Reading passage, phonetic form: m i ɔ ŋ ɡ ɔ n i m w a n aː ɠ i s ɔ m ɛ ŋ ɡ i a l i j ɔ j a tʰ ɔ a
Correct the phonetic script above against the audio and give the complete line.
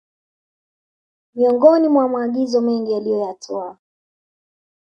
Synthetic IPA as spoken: m i ɔ ŋ ɡ ɔ n i m w a m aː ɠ i z ɔ m ɛ ŋ ɡ i a l i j ɔ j a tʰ ɔ a